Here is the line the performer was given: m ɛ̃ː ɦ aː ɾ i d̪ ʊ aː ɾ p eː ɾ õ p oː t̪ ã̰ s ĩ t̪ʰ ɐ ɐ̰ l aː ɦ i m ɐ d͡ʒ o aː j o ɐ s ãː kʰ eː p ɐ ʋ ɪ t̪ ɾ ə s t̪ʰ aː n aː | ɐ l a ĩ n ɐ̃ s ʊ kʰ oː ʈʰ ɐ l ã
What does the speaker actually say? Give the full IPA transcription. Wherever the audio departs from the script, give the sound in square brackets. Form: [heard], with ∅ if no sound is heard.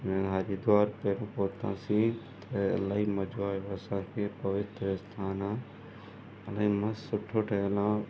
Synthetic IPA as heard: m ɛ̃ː ɦ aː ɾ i d̪ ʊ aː ɾ p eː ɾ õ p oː t̪ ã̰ s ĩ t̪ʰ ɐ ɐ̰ l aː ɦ i m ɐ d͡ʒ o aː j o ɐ s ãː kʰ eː p ɐ ʋ ɪ t̪ ɾ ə s t̪ʰ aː n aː | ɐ l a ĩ [m] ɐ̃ s ʊ [ʈʰ] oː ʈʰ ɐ l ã